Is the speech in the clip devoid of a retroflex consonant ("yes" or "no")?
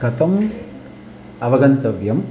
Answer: yes